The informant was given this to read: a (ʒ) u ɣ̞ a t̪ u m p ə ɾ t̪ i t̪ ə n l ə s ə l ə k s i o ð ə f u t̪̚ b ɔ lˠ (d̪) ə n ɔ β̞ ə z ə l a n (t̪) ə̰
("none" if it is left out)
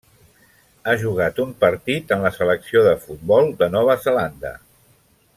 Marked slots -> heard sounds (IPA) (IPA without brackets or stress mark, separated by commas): ʒ, d̪, d̪